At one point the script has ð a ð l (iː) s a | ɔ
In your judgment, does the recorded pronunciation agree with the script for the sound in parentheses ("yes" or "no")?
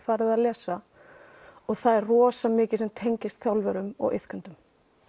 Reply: no